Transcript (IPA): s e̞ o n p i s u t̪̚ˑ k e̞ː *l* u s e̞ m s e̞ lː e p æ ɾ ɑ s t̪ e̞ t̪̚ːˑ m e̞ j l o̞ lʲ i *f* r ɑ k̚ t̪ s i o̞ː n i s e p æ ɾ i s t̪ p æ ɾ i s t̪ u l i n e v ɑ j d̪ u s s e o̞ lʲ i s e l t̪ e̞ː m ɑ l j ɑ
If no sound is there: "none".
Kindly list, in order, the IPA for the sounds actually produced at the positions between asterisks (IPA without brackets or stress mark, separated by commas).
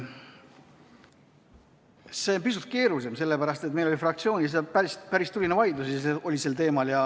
ɾ, f